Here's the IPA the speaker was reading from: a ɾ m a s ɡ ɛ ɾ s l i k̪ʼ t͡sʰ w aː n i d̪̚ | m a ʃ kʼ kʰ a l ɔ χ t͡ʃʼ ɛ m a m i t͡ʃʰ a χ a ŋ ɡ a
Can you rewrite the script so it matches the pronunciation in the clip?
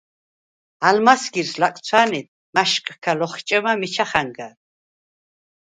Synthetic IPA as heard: a l m a s ɡ i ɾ s l a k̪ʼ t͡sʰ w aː n i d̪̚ | m a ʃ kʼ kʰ a l ɔ χ t͡ʃʼ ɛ m a m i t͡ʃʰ a χ a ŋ ɡ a